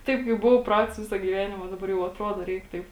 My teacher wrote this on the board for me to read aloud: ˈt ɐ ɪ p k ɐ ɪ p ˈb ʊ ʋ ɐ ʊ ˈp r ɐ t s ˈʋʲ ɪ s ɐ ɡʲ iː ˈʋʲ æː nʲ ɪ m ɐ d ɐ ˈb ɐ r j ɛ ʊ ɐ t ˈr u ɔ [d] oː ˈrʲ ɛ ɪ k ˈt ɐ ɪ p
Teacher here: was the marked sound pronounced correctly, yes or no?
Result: yes